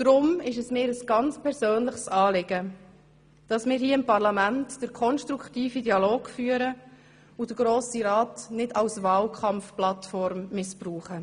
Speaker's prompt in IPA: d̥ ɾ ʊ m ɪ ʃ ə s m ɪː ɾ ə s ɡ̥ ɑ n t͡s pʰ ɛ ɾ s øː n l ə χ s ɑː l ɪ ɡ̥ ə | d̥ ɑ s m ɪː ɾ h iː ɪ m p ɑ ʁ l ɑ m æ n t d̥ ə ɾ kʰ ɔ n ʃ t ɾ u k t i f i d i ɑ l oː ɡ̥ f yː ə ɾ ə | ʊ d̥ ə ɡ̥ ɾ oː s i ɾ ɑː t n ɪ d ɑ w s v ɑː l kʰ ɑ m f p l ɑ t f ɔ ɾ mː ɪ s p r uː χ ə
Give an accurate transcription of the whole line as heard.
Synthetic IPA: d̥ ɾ ʊ m ɪ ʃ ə s m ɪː ɾ ə s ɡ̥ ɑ n t͡s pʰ ɛ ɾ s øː n l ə χ s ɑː l ɪ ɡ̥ ə | d̥ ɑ s m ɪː ɾ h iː ɪ m p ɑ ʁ l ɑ m æ n t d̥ ə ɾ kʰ ɔ n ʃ t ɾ u k t iː f i d i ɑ l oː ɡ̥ f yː ə ɾ ə | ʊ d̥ ə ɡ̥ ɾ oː s i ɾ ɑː t n ɪ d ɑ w s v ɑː l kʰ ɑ m f p l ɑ t f ɔ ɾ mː ɪ s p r uː χ ə